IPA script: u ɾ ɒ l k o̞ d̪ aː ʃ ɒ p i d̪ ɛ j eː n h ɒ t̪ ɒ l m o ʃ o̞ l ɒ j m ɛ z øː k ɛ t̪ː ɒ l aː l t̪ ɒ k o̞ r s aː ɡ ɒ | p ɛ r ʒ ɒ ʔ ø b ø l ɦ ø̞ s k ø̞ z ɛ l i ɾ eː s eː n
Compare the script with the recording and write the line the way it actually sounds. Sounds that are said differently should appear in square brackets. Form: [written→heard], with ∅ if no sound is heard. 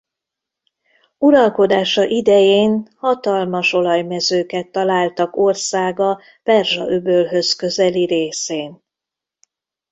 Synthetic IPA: u ɾ ɒ l k o̞ d̪ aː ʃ ɒ [p→ʔ] i d̪ ɛ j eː n h ɒ t̪ ɒ l m [o→ɒ] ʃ o̞ l ɒ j m ɛ z øː k ɛ t̪ː ɒ l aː l t̪ ɒ k o̞ r s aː ɡ ɒ | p ɛ r ʒ ɒ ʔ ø b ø l ɦ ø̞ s k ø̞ z ɛ l i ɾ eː s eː n